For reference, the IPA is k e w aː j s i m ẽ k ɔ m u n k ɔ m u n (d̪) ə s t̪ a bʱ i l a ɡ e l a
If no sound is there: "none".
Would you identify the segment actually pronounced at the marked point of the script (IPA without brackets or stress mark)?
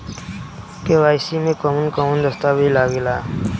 d̪